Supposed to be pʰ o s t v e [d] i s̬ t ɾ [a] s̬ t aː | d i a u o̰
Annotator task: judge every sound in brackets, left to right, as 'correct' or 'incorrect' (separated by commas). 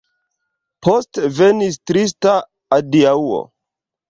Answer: incorrect, incorrect